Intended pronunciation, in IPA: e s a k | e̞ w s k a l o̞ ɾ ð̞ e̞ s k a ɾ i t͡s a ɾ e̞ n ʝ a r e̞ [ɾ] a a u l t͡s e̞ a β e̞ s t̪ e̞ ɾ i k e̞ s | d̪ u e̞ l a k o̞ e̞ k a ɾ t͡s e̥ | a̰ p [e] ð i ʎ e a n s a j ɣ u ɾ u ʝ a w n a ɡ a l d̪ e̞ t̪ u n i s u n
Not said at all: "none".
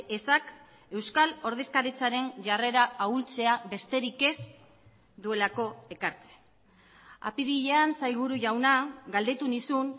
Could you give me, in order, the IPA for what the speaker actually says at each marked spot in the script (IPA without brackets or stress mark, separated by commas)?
ɾ, i